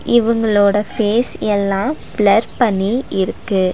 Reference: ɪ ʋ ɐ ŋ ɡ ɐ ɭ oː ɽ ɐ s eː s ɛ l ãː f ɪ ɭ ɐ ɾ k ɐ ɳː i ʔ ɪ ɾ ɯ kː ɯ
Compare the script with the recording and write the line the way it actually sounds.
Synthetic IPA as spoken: ɪ ʋ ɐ ŋ ɡ ɐ ɭ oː ɽ ɐ f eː s ɛ lː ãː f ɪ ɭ ɐ ɾ p ɐ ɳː i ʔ ɪ ɾ ɯ kː ɯ